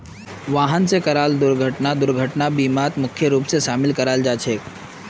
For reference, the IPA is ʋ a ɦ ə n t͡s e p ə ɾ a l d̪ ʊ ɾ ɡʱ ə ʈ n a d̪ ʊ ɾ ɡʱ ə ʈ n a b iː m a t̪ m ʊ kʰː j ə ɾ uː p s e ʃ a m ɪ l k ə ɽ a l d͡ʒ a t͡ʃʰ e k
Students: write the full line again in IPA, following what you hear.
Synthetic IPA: ʋ a ɦ ə n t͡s e k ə ɾ a l d̪ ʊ ɾ ɡʱ ə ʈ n a d̪ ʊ ɾ ɡʱ ə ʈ n a b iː m a t̪ m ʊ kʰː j ə ɾ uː p s e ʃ a m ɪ l k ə ɾ a l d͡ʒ a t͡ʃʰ e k